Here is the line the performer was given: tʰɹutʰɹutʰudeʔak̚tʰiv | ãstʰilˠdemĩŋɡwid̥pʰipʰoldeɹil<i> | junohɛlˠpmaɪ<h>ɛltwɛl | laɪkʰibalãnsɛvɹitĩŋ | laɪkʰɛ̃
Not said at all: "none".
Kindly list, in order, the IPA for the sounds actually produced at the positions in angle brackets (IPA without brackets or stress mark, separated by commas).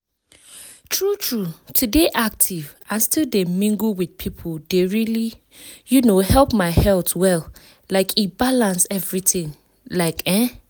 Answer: i, h